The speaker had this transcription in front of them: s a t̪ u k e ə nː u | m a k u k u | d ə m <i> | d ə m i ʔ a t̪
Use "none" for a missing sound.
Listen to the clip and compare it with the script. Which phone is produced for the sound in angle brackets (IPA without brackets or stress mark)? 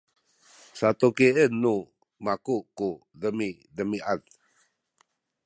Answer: i